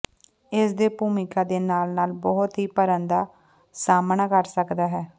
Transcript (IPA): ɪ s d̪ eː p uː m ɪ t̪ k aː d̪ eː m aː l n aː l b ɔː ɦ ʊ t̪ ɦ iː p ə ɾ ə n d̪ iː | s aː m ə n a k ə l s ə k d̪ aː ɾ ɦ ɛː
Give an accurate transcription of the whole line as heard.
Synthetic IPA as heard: ɪ s d̪ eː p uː m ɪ k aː d̪ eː n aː l n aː l b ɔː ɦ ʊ t̪ ɦ iː p ə ɾ ə n d̪ aː | s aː m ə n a k ə ɾ s ə k d̪ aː ɦ ɛː